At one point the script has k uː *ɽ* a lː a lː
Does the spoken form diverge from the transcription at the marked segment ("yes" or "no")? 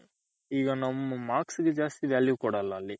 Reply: no